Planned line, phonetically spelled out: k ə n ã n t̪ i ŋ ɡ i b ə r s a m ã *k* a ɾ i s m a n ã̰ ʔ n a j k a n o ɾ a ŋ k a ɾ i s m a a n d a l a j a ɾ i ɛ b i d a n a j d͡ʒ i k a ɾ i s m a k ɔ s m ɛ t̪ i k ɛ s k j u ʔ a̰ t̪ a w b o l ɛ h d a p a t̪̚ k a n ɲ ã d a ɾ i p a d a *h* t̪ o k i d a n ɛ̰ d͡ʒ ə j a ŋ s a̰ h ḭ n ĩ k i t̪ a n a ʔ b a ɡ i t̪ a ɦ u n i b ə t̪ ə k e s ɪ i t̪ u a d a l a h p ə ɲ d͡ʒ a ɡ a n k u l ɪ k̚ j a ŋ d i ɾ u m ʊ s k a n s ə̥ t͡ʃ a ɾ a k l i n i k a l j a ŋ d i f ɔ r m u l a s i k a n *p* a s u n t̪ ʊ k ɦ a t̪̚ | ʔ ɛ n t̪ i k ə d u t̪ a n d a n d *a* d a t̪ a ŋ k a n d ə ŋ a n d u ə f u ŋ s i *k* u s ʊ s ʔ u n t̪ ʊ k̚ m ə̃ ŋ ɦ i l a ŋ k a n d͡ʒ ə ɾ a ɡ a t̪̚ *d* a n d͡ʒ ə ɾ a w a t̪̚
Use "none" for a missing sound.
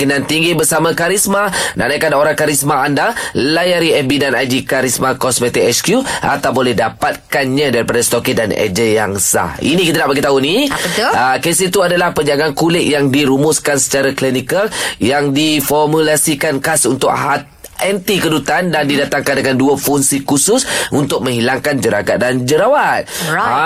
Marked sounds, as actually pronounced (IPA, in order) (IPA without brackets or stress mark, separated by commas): k, s, k, i, k, d